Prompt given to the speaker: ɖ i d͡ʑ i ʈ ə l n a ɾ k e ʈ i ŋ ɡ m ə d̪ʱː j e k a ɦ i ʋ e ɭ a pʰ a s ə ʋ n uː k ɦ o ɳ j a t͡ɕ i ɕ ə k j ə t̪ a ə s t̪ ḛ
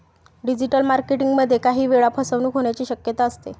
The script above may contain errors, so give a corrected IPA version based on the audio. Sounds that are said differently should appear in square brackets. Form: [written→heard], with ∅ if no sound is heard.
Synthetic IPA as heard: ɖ i d͡ʑ i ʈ ə l [n→m] a ɾ k e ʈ i ŋ ɡ m ə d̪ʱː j e k a ɦ [i→iː] ʋ e ɭ a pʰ [a→ə] s ə ʋ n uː k ɦ o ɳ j a t͡ɕ [i→iː] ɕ ə k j ə t̪ a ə s t̪ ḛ